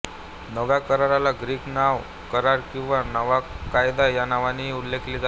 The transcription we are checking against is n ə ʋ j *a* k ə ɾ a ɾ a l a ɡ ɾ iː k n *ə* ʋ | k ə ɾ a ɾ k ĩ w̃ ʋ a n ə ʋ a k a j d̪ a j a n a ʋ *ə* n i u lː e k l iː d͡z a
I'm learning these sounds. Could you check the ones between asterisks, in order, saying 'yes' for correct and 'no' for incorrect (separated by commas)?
yes, no, no